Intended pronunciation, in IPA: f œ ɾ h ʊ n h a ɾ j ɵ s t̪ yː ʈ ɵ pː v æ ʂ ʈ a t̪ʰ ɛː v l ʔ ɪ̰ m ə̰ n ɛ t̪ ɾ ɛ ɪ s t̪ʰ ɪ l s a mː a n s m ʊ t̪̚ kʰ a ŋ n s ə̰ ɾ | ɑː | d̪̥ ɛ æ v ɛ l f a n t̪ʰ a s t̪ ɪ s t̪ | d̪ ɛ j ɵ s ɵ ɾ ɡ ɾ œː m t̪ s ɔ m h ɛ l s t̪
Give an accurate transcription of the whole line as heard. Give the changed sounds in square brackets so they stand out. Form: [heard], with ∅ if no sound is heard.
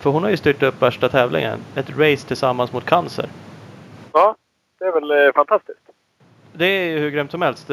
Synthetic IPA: f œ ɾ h ʊ n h a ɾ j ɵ s t̪ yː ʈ ɵ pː v æ ʂ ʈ a t̪ʰ ɛː v l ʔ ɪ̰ [ŋ] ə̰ n ɛ t̪ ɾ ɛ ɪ s t̪ʰ ɪ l s a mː a n s m ʊ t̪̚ kʰ a [∅] n s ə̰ ɾ | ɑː | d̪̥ ɛ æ v ɛ l f a n t̪ʰ a s t̪ ɪ s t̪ | d̪ ɛ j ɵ [h] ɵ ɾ ɡ ɾ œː m t̪ s ɔ m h ɛ l s t̪